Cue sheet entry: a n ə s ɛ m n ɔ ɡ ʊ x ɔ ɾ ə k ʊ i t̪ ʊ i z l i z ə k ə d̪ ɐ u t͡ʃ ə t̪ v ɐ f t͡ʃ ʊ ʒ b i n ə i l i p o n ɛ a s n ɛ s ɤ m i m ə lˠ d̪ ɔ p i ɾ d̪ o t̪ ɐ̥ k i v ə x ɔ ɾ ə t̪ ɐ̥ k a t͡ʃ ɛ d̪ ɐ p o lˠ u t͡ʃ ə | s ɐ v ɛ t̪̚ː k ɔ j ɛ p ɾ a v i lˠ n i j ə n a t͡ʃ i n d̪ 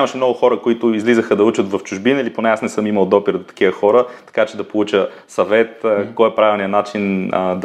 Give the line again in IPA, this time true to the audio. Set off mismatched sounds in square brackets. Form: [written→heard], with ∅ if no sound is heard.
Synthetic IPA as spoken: a [n→m] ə [s→ʃ] ɛ m n ɔ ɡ ʊ x ɔ ɾ ə k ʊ i t̪ ʊ i z l i z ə [k→x] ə d̪ ɐ u t͡ʃ ə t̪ v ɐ f t͡ʃ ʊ ʒ b i n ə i l i p o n ɛ a s n ɛ s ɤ m i m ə lˠ d̪ ɔ p i ɾ d̪ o t̪ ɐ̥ k i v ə x ɔ ɾ ə t̪ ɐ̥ k a t͡ʃ ɛ d̪ ɐ p o lˠ u t͡ʃ ə | s ɐ v ɛ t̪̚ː k ɔ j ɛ p ɾ a v i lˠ n i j ə n a t͡ʃ i n d̪